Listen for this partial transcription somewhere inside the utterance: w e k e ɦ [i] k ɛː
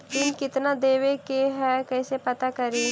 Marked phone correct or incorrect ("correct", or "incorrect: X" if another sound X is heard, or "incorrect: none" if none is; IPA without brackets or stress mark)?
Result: incorrect: ɛ